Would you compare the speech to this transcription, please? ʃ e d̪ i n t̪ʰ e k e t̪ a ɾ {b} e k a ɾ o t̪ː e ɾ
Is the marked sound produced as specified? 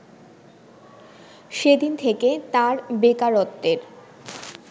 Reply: yes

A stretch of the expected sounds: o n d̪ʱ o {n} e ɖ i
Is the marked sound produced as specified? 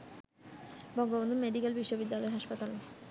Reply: no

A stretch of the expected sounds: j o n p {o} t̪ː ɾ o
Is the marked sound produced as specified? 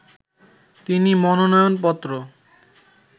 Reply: no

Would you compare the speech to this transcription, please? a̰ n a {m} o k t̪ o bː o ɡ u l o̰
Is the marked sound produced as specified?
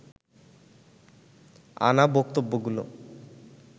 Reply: no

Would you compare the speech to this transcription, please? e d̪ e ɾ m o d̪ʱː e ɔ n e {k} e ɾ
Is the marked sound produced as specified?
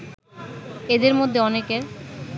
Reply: yes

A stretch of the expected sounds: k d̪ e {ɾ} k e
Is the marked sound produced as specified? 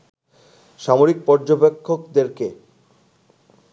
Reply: yes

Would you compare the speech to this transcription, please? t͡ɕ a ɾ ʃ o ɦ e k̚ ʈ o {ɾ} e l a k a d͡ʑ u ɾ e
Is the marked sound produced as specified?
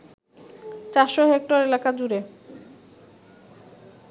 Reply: yes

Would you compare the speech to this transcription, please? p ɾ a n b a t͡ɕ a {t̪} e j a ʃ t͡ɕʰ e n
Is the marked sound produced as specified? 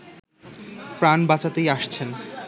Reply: yes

